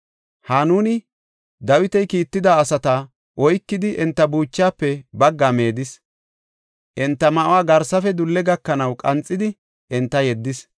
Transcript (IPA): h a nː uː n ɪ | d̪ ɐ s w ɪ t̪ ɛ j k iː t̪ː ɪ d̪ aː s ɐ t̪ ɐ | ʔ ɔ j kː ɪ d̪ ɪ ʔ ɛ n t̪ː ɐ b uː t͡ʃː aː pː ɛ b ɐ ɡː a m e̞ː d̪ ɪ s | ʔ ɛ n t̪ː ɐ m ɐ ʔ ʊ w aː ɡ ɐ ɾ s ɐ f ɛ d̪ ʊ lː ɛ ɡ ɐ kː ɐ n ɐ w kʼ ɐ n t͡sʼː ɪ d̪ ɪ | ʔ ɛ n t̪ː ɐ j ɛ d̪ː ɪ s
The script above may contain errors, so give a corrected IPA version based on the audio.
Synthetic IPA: h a n uː n ɪ | d̪ ɐ w ɪ t̪ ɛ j k iː t̪ː ɪ d̪ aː s ɐ t̪ ɐ | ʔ ɔ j kː ɪ d̪ ɪ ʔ ɛ n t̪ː ɐ b uː t͡ʃː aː pː ɛ b ɐ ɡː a m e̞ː d̪ ɪ s | ʔ ɛ n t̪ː ɐ m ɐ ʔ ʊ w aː ɡ ɐ ɾ s ɐ f ɛ d̪ ʊ lː ɛ ɡ ɐ kː ɐ n ɐ w kʼ ɐ n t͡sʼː ɪ d̪ ɪ | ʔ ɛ n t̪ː ɐ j ɛ d̪ː ɪ s